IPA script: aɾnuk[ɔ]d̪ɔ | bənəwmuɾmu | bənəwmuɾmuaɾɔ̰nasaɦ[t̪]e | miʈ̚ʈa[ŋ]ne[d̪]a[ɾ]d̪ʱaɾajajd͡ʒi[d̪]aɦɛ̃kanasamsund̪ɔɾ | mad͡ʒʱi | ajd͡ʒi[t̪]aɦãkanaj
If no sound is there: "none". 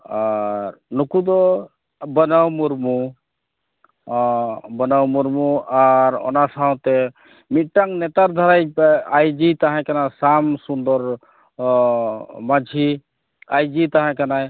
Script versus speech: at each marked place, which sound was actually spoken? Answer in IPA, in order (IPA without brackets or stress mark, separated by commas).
u, t̪, ŋ, t̪, ɾ, t̪, t̪